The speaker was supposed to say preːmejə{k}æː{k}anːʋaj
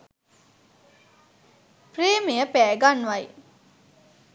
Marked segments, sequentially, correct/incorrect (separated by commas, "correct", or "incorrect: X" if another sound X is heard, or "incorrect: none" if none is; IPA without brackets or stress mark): incorrect: p, incorrect: ɡ